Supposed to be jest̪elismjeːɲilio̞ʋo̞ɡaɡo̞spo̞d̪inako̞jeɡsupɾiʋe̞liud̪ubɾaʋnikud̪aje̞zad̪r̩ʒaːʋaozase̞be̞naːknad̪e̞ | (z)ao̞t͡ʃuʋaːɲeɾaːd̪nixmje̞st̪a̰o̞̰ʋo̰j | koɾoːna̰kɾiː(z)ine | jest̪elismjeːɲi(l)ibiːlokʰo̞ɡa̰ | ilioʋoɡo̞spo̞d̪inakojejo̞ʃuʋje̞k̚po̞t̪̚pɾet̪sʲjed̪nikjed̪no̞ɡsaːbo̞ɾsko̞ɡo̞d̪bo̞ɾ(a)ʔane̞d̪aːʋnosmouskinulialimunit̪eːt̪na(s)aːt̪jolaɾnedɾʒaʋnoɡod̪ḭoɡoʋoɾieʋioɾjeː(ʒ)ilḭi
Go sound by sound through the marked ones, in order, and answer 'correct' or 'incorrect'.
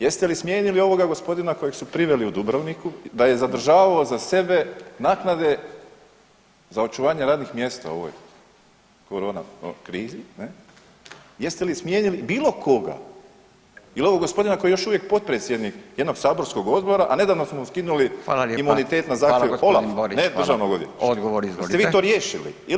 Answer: correct, correct, correct, correct, incorrect: z, incorrect: ʃ

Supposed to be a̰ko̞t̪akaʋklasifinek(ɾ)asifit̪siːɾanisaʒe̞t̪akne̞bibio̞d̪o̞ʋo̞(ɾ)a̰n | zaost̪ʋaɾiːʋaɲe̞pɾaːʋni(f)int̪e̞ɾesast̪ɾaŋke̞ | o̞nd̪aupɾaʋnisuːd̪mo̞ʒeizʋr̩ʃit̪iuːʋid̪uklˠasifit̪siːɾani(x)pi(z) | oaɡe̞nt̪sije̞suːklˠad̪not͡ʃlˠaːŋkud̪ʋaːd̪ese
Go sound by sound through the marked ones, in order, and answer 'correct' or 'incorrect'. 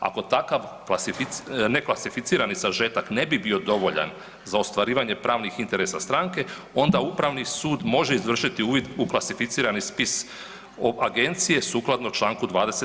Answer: incorrect: l, incorrect: ʎ, incorrect: x, incorrect: s, incorrect: s

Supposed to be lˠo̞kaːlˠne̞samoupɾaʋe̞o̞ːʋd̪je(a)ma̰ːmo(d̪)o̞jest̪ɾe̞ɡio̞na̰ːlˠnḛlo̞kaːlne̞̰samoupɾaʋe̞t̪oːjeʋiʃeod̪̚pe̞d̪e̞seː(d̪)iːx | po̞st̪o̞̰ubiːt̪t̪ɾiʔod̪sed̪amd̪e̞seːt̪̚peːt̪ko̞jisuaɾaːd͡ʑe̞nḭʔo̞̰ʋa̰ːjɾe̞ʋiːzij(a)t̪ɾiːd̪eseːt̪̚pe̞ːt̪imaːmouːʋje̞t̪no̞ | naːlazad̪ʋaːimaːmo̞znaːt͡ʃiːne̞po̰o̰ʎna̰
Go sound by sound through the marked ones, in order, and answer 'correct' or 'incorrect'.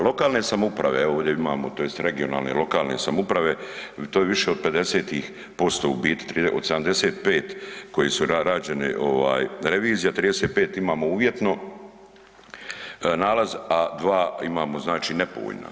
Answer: incorrect: i, incorrect: t̪, incorrect: t̪, correct

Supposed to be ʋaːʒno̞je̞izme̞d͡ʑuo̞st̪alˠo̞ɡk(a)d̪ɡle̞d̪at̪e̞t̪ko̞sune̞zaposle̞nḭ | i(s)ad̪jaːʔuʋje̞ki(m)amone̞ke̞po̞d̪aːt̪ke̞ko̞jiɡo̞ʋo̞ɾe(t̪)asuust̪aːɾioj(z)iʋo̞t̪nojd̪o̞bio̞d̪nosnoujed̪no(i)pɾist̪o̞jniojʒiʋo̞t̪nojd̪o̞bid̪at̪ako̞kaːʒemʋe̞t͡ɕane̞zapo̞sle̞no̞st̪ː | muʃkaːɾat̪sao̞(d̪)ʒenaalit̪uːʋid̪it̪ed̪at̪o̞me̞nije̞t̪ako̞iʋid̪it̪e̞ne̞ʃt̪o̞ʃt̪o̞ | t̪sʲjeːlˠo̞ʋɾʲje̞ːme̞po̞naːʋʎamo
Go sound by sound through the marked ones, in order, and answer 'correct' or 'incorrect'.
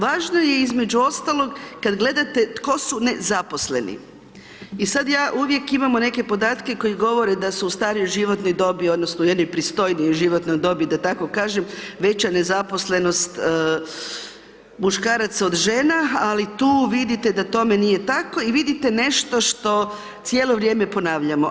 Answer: correct, correct, correct, incorrect: d̪, incorrect: ʒ, incorrect: j, correct

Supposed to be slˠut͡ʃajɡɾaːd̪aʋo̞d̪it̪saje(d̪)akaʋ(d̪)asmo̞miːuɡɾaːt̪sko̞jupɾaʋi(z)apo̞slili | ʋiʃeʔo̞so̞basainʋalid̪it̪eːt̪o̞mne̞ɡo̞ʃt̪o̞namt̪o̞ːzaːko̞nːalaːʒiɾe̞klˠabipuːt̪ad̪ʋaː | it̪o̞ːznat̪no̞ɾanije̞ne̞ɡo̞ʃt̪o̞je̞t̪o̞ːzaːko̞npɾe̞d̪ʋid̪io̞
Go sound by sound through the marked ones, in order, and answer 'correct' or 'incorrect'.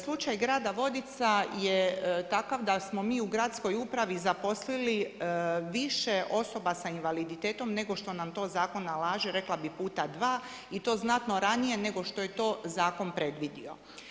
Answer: incorrect: t̪, correct, correct

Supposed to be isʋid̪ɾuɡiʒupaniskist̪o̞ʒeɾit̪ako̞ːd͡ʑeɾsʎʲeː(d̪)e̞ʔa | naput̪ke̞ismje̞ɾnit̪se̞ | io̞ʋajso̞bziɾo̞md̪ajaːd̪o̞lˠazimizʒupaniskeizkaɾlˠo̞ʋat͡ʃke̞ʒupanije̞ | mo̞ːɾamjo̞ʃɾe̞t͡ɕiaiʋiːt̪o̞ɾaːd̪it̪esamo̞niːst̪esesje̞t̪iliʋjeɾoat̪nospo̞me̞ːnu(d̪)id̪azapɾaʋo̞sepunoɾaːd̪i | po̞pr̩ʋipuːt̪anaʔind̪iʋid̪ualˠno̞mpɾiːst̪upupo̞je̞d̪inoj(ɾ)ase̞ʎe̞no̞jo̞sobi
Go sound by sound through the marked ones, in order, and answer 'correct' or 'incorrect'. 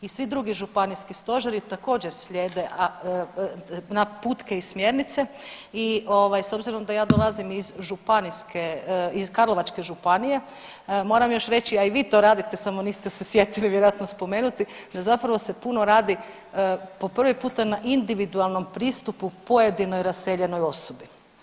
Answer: correct, incorrect: t̪, correct

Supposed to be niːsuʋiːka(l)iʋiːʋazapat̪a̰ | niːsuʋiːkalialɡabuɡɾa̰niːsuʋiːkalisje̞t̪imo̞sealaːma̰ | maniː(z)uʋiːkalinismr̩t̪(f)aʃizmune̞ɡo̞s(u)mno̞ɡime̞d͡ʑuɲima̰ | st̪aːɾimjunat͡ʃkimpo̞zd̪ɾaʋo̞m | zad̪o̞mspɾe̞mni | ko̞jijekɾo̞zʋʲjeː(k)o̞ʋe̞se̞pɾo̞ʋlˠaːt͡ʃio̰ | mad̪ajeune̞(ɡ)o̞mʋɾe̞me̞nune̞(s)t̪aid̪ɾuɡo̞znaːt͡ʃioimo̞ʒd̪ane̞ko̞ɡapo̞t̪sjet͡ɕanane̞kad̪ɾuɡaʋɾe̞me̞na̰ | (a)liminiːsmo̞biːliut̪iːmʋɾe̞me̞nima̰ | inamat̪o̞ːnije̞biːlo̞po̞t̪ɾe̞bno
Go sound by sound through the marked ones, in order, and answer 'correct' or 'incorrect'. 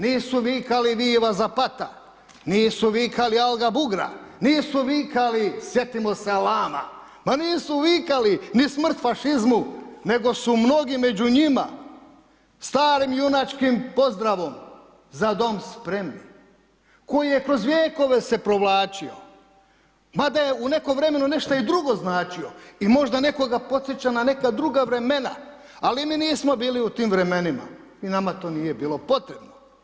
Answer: correct, incorrect: s, correct, correct, correct, incorrect: k, incorrect: ʃ, correct

